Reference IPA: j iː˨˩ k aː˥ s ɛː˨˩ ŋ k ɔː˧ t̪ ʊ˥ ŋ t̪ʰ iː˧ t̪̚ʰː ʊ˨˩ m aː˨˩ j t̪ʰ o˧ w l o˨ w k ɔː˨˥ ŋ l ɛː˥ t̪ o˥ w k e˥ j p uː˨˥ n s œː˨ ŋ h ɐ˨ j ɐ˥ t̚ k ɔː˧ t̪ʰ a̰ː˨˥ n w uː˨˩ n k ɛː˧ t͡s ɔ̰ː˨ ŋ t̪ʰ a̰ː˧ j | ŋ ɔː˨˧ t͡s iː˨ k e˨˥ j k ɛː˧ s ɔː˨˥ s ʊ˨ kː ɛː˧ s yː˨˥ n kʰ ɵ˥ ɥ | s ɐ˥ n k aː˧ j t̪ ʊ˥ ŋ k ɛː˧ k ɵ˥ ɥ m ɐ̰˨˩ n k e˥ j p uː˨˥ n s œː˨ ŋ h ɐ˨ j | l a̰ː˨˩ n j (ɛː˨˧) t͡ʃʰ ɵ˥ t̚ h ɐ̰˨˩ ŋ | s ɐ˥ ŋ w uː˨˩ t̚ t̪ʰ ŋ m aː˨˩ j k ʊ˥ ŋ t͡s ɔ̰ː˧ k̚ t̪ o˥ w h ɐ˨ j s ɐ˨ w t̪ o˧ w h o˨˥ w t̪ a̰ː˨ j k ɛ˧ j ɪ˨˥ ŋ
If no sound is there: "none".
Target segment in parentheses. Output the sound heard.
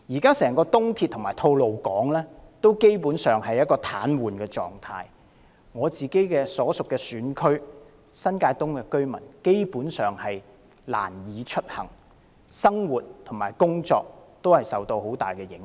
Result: iː˨˧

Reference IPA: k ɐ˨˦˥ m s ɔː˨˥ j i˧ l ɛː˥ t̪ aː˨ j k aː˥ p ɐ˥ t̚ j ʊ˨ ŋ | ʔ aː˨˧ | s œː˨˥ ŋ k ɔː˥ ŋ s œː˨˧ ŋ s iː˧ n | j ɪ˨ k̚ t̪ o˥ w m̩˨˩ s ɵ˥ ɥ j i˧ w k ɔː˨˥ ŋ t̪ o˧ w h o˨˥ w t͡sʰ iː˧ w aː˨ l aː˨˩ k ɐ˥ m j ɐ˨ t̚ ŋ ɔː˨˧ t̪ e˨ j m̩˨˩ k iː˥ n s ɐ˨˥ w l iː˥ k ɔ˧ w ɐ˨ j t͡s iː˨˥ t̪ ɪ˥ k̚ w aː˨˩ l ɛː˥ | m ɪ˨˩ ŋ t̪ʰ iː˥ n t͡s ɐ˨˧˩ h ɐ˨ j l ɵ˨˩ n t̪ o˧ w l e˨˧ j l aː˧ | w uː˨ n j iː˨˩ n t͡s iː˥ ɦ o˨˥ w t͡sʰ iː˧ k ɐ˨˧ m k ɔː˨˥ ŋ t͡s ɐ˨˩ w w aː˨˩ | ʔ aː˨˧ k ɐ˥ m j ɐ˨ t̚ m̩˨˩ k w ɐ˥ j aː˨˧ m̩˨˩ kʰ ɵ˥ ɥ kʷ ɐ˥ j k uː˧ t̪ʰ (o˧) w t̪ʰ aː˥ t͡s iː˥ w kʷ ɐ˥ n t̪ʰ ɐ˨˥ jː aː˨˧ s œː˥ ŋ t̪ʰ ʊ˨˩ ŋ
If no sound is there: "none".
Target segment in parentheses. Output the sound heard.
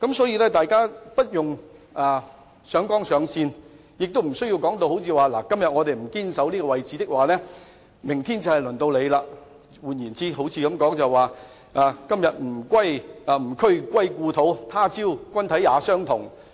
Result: o˨˥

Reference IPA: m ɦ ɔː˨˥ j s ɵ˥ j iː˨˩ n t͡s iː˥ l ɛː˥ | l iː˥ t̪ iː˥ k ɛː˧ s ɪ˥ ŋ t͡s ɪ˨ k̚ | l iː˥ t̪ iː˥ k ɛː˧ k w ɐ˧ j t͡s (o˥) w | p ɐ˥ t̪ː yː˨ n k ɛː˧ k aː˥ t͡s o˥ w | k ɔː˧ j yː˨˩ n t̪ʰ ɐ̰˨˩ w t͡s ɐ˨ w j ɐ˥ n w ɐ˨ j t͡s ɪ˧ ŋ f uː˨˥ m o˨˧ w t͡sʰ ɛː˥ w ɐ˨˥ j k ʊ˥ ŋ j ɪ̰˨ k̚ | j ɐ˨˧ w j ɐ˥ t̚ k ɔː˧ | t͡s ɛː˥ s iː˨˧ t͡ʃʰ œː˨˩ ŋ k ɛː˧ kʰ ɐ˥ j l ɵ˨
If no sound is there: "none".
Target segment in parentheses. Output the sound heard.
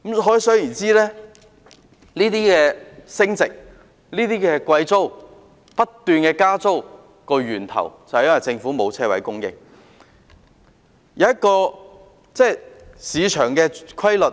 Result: o˥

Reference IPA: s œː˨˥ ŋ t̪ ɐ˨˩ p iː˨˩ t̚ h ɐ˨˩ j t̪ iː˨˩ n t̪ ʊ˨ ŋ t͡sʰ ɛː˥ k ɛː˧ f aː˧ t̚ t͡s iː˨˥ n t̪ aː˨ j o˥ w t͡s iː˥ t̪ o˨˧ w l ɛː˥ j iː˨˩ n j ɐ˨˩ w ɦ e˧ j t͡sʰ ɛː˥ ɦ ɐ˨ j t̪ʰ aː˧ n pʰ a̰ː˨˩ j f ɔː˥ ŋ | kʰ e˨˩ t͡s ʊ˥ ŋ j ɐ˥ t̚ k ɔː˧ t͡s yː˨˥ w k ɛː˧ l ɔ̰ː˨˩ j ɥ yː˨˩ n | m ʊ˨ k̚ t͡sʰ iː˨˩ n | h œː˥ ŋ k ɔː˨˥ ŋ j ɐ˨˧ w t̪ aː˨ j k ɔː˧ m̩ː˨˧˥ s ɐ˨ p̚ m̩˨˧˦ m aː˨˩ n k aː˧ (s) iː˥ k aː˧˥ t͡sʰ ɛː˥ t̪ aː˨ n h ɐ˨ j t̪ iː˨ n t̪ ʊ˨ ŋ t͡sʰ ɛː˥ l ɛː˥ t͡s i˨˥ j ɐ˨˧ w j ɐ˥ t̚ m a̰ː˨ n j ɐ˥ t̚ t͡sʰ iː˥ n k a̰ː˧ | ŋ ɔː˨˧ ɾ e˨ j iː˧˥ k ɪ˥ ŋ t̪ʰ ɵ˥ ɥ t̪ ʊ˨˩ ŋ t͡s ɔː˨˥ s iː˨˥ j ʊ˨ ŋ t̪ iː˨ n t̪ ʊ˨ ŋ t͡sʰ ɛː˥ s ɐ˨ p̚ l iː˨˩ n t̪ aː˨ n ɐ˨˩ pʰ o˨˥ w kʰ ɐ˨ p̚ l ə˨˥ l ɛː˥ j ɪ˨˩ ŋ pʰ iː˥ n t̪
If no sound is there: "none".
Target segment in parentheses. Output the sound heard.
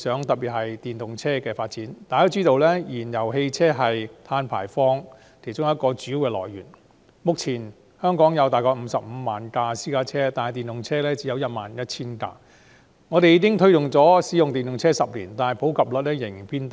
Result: s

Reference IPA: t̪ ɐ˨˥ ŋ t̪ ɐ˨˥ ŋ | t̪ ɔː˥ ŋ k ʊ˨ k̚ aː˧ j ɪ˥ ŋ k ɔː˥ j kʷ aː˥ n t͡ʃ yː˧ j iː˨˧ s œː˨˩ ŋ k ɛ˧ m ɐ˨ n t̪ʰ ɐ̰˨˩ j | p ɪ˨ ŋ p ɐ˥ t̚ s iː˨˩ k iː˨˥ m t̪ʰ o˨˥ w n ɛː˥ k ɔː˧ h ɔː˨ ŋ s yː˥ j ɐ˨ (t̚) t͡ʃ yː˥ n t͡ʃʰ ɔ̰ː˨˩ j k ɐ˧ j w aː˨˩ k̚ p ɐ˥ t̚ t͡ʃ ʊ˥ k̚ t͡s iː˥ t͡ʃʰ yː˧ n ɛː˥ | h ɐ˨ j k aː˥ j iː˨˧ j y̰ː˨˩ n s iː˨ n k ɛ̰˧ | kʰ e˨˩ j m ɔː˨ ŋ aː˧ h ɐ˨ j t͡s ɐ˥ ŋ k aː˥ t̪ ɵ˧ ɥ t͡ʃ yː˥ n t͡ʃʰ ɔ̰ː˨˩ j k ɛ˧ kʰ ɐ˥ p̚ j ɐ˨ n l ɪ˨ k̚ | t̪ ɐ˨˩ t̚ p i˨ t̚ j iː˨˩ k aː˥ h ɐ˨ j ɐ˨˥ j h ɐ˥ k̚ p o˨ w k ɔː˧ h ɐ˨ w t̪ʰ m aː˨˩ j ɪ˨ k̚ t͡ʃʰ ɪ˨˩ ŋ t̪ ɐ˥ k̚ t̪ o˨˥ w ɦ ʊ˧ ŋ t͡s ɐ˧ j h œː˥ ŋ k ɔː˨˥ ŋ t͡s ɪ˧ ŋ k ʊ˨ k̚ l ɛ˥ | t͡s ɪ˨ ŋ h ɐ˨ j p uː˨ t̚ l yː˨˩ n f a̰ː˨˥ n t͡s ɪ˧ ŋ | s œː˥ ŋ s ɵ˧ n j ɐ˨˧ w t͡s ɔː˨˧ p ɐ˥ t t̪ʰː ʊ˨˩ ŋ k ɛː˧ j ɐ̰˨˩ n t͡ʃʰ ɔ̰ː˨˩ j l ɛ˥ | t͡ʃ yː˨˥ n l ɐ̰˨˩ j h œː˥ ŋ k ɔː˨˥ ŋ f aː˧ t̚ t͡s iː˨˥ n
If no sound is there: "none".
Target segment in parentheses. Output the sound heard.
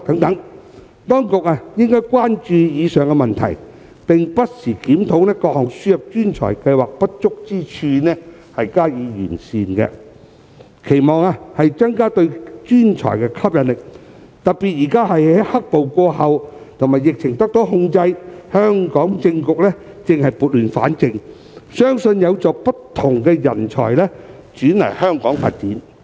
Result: p̚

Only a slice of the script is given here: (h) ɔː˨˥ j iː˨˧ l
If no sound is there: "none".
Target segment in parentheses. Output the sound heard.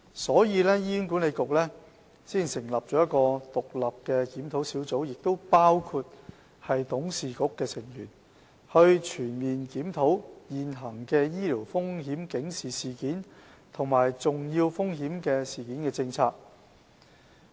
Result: s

